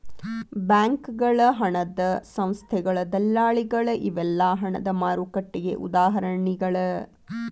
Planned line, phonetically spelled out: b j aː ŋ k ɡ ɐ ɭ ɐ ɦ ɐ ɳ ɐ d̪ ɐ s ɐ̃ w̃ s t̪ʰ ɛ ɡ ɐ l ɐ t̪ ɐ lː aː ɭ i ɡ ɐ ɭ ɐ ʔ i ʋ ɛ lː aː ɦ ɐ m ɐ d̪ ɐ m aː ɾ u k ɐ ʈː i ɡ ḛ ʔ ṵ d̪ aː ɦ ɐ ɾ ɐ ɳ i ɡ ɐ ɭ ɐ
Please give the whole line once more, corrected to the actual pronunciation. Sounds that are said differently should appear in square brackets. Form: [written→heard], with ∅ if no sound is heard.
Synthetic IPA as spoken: b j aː ŋ k ɡ ɐ ɭ ɐ ɦ ɐ ɳ ɐ d̪ ɐ s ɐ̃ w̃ s t̪ʰ ɛ ɡ ɐ [l→ɭ] ɐ [t̪→d̪] ɐ lː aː ɭ i ɡ ɐ ɭ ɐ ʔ i ʋ ɛ lː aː ɦ ɐ [m→ɳ] ɐ d̪ ɐ m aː ɾ u k ɐ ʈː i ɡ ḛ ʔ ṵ d̪ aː ɦ ɐ ɾ ɐ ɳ i ɡ ɐ ɭ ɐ